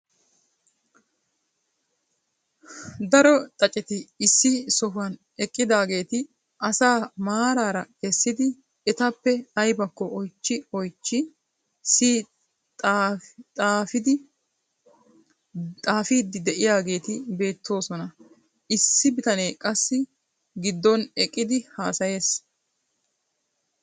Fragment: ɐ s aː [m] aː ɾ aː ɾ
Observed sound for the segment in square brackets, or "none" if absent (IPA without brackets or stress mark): m